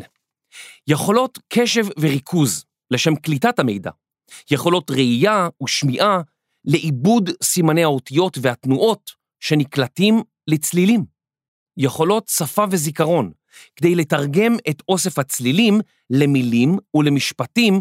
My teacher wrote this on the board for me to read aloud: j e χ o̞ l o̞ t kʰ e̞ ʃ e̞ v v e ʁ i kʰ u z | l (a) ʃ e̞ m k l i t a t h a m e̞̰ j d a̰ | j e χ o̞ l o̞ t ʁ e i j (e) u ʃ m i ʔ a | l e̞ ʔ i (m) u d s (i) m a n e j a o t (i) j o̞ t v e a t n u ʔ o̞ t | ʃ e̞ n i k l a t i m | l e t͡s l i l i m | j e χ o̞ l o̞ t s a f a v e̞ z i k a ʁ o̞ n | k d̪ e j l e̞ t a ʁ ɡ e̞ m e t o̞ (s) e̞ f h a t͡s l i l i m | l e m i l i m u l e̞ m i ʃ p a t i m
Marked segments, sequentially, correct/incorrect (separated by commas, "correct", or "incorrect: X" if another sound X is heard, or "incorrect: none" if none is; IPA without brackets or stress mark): incorrect: e, incorrect: a, incorrect: b, correct, correct, correct